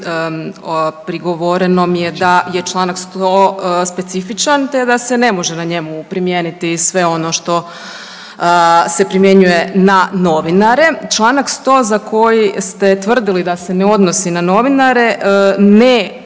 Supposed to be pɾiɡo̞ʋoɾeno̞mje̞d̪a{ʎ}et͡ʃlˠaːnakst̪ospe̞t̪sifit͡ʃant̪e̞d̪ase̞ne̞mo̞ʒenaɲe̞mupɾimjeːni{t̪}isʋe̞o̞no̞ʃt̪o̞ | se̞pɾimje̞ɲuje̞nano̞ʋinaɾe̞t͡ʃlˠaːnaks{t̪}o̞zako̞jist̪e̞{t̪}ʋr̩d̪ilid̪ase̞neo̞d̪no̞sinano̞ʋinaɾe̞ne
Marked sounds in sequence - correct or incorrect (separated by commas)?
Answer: incorrect, correct, correct, correct